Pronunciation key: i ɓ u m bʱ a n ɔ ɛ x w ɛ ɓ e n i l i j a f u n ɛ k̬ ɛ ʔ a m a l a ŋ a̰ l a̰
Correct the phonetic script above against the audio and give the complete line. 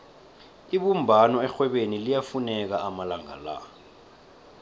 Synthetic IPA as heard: i ɓ u m bʱ a n ɔ ɛ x w ɛ ɓ e n i l i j a f u n ɛ k̬ a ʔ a m a l a ŋ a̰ l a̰